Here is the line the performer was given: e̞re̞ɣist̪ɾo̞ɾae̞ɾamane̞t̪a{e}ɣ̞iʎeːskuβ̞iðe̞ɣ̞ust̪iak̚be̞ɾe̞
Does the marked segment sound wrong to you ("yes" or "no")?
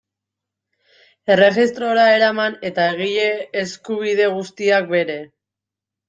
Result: no